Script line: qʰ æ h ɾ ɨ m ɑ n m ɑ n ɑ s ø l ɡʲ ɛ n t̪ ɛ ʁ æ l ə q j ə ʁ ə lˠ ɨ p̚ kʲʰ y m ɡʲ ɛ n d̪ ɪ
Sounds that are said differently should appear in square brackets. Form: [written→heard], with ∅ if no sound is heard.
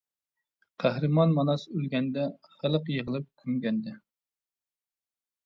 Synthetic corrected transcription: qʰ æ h ɾ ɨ m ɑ n m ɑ n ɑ s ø l ɡʲ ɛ n [t̪→d̪] ɛ [ʁ→χ] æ l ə q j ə ʁ ə lˠ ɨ p̚ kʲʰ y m ɡʲ ɛ n d̪ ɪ